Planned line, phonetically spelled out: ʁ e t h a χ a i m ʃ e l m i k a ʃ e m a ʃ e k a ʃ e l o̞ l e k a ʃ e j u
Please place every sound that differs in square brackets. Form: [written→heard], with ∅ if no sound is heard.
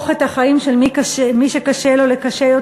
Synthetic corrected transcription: [ʁ→χ] e t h a χ a i m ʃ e l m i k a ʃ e m [a→i] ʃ e k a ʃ e l o̞ l e k a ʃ e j [u→o]